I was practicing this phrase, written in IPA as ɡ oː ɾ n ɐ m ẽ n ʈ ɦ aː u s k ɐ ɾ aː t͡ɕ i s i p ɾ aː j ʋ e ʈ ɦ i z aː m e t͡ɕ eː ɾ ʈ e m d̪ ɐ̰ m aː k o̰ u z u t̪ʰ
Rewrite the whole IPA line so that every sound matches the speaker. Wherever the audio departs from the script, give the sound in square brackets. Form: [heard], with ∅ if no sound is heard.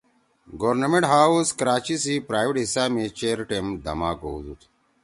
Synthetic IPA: ɡ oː ɾ n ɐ m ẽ [ɳ] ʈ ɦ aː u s k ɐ ɾ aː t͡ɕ i s i p ɾ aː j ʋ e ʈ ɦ i [s] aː m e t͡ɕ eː ɾ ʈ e m d̪ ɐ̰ m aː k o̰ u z u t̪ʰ